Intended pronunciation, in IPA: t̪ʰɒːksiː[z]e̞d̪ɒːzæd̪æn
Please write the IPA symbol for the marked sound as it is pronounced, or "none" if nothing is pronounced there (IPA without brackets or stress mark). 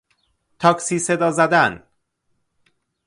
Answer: s